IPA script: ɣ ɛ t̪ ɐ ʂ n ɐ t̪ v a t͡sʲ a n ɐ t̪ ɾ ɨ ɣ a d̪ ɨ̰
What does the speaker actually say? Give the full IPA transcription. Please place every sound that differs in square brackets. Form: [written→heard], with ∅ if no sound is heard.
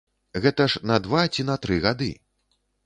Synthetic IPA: ɣ ɛ t̪ ɐ ʂ n ɐ [t̪→d̪] v a t͡sʲ [a→i] n ɐ t̪ ɾ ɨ ɣ a d̪ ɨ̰